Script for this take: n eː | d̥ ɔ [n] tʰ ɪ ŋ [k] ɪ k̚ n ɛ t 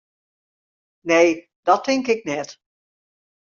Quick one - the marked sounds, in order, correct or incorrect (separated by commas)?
incorrect, correct